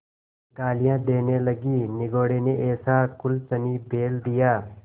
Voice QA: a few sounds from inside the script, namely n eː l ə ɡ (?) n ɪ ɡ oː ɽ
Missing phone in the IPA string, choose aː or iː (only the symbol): iː